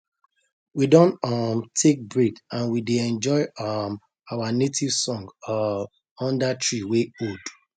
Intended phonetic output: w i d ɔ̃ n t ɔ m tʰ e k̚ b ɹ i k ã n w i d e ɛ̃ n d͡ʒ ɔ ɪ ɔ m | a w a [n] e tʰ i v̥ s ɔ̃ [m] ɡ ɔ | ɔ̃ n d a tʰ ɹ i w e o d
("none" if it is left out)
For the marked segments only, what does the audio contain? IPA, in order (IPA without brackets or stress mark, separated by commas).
n, ŋ